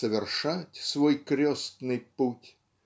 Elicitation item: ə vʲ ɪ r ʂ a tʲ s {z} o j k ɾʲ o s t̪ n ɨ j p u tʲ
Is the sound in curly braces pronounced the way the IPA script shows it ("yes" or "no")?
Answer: no